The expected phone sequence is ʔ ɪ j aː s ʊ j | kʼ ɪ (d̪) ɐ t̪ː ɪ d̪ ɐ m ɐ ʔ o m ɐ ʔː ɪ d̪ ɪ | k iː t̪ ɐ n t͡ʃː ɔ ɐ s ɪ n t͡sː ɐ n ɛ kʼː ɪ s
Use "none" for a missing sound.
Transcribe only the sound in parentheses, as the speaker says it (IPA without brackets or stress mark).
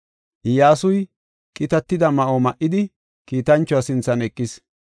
t̪